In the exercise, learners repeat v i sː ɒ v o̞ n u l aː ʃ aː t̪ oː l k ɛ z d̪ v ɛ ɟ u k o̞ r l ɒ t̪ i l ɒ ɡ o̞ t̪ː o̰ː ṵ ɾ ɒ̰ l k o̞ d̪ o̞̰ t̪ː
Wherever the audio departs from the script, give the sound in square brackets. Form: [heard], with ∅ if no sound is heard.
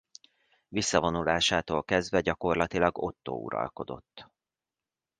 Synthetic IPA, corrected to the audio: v i sː ɒ v o̞ n u l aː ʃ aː t̪ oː l k ɛ z d̪ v ɛ ɟ [ɒ] k o̞ r l ɒ t̪ i l ɒ ɡ o̞ t̪ː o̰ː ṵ ɾ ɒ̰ l k o̞ d̪ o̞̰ t̪ː

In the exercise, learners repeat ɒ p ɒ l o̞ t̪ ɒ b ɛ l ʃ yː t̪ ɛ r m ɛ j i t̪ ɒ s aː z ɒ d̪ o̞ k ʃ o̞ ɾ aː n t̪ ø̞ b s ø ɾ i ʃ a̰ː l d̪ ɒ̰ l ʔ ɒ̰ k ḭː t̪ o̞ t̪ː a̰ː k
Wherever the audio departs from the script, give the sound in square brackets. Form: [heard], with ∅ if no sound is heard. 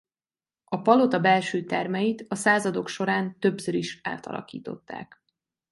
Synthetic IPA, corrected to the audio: ɒ p ɒ l o̞ t̪ ɒ b ɛ l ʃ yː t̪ ɛ r m ɛ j i t̪ ɒ s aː z ɒ d̪ o̞ k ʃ o̞ ɾ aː n t̪ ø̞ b s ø ɾ i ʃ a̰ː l [t̪] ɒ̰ l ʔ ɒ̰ k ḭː t̪ o̞ t̪ː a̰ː k

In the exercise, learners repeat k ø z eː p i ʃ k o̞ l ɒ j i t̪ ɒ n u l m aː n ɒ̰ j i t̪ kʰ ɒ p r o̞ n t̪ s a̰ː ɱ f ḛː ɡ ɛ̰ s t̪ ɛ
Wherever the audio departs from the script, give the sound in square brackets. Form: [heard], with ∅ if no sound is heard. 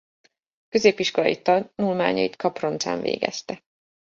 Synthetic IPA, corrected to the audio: k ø z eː p i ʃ k o̞ l ɒ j i t̪ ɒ n u l m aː [ɲ] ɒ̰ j i t̪ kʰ ɒ p r o̞ n t̪ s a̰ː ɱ [v] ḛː ɡ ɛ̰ s t̪ ɛ

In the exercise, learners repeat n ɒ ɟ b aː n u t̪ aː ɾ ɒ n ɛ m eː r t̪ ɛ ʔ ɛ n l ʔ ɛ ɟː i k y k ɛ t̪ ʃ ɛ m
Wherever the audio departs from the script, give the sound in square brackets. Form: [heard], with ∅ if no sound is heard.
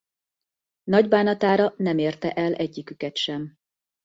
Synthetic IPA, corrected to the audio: n ɒ ɟ b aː n [ɒ] t̪ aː ɾ ɒ n ɛ m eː r t̪ ɛ ʔ ɛ [∅] l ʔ ɛ ɟː i k y k ɛ t̪ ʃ ɛ m

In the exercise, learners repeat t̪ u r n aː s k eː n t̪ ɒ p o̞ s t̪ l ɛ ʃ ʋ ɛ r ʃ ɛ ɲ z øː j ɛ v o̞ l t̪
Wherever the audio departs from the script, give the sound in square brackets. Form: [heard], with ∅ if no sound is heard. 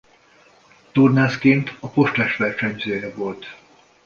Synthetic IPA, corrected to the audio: t̪ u r n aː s k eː n t̪ ɒ p o̞ [ʃ] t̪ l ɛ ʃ ʋ ɛ r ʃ ɛ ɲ z øː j ɛ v o̞ l t̪

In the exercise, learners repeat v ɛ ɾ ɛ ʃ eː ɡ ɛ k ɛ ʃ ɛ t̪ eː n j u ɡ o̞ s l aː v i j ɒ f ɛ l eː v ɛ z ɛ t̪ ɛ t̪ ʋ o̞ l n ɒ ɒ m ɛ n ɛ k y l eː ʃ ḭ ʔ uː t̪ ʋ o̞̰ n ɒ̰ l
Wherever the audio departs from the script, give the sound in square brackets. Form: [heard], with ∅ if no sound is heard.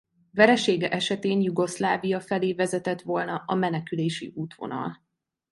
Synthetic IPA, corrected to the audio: v ɛ ɾ ɛ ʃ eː ɡ ɛ [ʔ] ɛ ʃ ɛ t̪ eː n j u ɡ o̞ s l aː v i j ɒ f ɛ l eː v ɛ z ɛ t̪ ɛ t̪ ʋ o̞ l n ɒ ɒ m ɛ n ɛ k y l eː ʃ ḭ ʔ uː t̪ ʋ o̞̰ n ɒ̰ l

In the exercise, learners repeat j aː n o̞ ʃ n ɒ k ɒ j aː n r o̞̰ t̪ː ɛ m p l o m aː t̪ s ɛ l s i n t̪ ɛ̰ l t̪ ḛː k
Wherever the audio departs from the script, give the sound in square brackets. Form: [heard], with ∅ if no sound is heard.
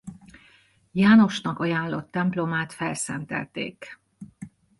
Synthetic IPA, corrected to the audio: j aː n o̞ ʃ n ɒ k ɒ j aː n [l] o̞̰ t̪ː ɛ m p l o m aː t̪ [f] ɛ l s [ɛ] n t̪ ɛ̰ l t̪ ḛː k

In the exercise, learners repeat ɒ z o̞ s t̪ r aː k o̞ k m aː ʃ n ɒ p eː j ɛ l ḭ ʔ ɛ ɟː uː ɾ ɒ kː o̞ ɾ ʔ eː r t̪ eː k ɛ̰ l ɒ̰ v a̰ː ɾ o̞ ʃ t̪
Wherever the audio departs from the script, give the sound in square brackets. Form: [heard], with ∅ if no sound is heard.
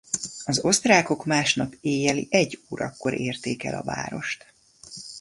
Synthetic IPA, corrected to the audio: ɒ z o̞ s t̪ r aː k o̞ k m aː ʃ n ɒ p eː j ɛ l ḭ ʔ ɛ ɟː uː ɾ ɒ kː o̞ ɾ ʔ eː r t̪ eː k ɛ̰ l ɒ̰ v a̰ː ɾ o̞ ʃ t̪

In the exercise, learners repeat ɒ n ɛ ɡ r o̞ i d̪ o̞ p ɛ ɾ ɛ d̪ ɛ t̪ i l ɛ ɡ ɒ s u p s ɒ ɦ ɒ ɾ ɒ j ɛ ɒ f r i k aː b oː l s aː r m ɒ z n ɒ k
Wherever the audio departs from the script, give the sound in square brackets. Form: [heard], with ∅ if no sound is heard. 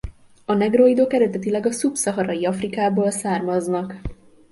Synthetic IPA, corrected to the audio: ɒ n ɛ ɡ r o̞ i d̪ o̞ [k] ɛ ɾ ɛ d̪ ɛ t̪ i l ɛ ɡ ɒ s u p s ɒ ɦ ɒ ɾ ɒ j [i] ɒ f r i k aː b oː l s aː r m ɒ z n ɒ k

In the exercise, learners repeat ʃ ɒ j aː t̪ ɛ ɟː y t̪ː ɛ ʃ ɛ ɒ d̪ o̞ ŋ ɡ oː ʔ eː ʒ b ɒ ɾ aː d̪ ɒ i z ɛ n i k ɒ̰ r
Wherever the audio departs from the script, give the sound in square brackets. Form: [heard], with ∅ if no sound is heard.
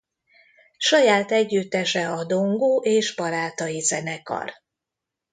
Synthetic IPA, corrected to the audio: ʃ ɒ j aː t̪ ɛ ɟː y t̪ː ɛ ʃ ɛ ɒ d̪ o̞ ŋ ɡ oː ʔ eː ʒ b ɒ ɾ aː [t̪] ɒ i z ɛ n [ɛ] k ɒ̰ r

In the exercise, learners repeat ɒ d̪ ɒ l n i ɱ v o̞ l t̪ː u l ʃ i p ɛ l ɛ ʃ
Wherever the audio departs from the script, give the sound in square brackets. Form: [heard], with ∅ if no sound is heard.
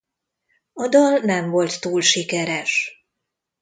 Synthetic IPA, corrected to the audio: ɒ d̪ ɒ l n [ɛ] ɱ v o̞ l t̪ː [uː] l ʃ i [k] ɛ [ɾ] ɛ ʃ

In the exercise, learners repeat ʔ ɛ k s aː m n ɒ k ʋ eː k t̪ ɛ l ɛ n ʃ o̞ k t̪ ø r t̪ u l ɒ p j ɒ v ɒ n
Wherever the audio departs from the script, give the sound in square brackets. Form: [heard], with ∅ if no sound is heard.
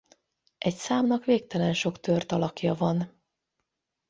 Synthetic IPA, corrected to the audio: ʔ ɛ [c] s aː m n ɒ k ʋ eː k t̪ ɛ l ɛ n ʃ o̞ k t̪ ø r t̪ [ɒ] l ɒ [k] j ɒ v ɒ n

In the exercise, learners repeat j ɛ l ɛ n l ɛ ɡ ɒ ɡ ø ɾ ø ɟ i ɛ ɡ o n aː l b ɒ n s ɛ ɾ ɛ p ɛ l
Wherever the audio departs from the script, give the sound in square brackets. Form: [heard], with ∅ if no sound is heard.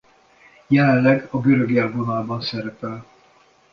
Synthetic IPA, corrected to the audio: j ɛ l ɛ n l ɛ ɡ ɒ ɡ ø ɾ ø [ɡ] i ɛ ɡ o n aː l b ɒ n s ɛ ɾ ɛ p ɛ l

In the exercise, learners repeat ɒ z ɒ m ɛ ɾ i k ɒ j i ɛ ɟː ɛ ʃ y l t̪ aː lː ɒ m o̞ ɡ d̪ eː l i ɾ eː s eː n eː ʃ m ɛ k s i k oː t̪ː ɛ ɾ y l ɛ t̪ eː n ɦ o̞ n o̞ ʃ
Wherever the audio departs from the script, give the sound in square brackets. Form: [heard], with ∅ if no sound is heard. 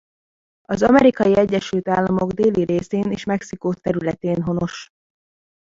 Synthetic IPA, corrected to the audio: ɒ z ɒ m ɛ ɾ i k ɒ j i ɛ ɟː ɛ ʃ y l t̪ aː lː ɒ m o̞ ɡ d̪ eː l i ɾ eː s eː n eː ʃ m ɛ k s i k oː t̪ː ɛ ɾ y l ɛ t̪ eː n ɦ o̞ n o̞ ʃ

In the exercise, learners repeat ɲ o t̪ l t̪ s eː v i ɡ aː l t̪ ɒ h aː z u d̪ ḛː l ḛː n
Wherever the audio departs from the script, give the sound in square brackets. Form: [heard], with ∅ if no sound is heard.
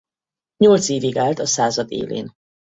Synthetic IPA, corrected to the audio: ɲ o [∅] l t̪ s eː v i ɡ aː l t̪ ɒ [s] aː z [ɒ] d̪ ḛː l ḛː n

